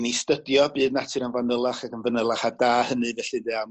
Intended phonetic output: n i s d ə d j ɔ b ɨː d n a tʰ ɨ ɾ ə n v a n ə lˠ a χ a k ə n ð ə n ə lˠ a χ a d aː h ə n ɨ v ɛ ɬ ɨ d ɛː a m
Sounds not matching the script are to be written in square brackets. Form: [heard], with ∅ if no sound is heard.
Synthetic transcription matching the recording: n i s [t] ə d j ɔ b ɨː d n a tʰ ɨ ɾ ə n v a n ə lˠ a χ a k ə n [v] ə n ə lˠ a χ a d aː h ə n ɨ v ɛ ɬ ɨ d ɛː a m